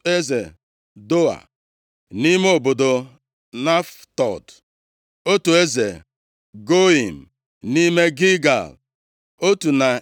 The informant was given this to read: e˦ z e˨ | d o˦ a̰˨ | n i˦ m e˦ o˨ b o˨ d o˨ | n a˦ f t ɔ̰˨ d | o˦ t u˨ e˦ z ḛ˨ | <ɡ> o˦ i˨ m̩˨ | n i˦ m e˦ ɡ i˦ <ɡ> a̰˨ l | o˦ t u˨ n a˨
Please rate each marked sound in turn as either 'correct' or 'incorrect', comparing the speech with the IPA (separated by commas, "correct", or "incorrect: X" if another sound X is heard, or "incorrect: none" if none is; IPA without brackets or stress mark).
correct, correct